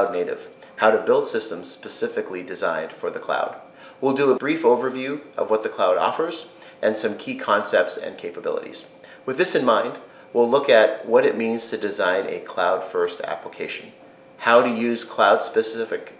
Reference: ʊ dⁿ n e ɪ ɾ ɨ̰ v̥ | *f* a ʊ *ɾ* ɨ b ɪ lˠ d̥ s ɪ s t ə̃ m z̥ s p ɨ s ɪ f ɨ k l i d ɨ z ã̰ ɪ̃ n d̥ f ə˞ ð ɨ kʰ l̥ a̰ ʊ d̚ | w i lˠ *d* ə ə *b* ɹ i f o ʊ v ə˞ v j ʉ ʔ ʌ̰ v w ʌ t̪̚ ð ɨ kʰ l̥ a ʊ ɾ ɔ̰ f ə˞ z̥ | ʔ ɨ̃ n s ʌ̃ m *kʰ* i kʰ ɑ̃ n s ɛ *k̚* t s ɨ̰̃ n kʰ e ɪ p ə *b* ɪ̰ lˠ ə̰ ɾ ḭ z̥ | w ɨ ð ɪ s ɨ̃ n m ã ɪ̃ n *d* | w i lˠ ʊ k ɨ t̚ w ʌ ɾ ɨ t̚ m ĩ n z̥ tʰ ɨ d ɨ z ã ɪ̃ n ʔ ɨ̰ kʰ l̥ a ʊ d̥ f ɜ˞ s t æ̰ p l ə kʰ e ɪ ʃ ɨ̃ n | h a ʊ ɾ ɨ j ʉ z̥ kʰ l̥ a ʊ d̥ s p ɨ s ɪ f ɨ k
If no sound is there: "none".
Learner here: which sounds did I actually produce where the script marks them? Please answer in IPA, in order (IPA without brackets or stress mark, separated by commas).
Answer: h, ɾ, d, b, kʰ, p̚, b, d